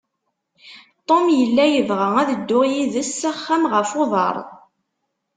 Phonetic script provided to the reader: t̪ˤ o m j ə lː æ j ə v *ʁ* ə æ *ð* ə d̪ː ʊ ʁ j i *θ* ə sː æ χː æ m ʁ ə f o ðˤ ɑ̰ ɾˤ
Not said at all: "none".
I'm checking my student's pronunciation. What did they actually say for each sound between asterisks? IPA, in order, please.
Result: ʁ, ð, ð

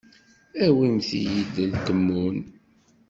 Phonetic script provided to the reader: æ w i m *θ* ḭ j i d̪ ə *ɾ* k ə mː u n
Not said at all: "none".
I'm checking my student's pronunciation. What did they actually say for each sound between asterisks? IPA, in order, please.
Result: θ, l

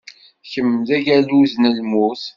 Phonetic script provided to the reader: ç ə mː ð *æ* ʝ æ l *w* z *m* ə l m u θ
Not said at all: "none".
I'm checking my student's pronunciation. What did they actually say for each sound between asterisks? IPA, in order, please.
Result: æ, u, n

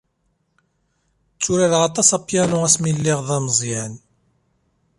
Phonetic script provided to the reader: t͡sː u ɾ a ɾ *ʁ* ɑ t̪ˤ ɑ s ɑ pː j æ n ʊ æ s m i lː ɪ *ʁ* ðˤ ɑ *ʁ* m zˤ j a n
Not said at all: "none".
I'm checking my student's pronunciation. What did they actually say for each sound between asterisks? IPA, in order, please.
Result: ʁ, ʁ, none

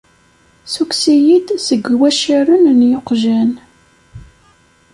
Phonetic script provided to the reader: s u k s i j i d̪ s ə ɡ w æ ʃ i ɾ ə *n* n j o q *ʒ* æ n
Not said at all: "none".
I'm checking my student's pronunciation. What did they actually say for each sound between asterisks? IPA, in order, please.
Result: n, ʒ

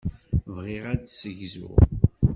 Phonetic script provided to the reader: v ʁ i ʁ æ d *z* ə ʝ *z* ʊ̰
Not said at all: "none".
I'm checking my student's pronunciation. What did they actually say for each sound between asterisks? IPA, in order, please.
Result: s, z

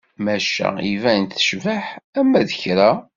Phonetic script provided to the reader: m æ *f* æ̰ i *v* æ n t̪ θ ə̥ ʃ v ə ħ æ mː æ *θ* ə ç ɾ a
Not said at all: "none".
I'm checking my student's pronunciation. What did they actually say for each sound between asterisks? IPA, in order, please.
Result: ʃ, v, ð

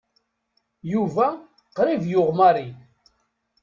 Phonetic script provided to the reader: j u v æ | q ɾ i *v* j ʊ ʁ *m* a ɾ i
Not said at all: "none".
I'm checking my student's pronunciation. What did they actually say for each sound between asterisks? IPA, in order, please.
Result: v, m

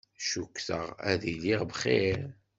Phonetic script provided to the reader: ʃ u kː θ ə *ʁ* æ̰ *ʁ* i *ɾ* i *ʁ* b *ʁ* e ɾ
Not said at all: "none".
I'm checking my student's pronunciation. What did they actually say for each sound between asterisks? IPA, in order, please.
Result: ʁ, ð, l, ʁ, χ

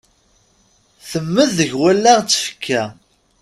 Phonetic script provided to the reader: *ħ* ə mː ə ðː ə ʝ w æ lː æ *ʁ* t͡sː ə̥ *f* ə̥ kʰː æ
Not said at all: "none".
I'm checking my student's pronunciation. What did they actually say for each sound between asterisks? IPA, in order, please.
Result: θ, ʁ, f

